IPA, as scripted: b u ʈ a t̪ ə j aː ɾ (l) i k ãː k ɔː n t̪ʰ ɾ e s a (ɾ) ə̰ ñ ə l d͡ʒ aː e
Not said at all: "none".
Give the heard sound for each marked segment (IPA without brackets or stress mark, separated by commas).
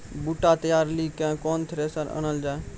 l, ɾ